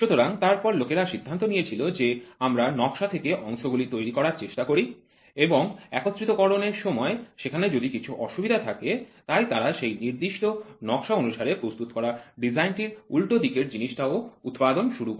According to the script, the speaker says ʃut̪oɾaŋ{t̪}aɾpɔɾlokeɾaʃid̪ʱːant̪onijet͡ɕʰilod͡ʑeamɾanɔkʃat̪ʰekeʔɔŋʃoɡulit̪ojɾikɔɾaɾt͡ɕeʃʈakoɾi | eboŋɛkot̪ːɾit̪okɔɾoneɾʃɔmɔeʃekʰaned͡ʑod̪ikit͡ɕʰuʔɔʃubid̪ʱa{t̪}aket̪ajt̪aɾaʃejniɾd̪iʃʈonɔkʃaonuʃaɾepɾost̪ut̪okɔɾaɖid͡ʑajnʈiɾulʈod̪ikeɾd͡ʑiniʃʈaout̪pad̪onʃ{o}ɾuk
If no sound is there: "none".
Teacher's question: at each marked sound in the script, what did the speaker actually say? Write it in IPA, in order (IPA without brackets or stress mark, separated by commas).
t̪, t̪ʰ, u